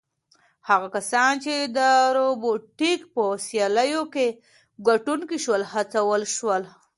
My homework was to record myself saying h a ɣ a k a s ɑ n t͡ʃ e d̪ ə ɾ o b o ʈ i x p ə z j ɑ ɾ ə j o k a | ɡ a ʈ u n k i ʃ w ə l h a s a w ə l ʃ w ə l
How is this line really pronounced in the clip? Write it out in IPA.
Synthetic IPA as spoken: h a ɣ a k a s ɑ n t͡ʃ e d̪ ə ɾ o b o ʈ i k p ə s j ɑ l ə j o k e | ɡ a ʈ u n k i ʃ w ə l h a t͡s a w ə l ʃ w ə l